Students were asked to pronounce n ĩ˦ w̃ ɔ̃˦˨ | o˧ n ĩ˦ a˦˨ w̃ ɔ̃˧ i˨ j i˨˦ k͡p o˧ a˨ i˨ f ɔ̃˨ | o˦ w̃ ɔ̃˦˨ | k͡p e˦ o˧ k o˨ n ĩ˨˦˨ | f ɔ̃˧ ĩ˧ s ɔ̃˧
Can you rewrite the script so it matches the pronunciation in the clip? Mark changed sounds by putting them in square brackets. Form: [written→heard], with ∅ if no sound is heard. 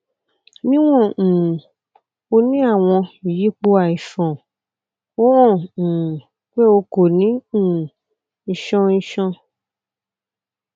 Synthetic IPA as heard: n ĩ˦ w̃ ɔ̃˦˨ | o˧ n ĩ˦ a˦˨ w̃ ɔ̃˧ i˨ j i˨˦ k͡p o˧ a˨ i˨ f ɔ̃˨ | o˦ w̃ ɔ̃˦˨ | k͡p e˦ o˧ k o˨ n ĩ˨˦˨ | [f→ʃ] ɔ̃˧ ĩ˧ [s→ʃ] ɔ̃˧